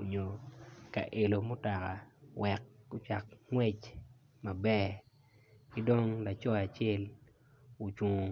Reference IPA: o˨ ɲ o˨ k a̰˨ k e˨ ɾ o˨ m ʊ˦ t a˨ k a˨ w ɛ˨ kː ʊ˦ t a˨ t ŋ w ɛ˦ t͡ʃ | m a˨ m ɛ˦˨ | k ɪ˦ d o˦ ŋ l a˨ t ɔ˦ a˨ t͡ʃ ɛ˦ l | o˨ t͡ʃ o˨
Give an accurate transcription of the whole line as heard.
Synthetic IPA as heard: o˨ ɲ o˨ k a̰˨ ʔ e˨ l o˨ m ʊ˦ t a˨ k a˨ w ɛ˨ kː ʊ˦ t͡ʃ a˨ k ŋ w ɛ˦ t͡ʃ | m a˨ b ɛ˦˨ | k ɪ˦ d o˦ ŋ l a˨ t͡ʃ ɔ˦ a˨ t͡ʃ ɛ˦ l | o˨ t͡ʃ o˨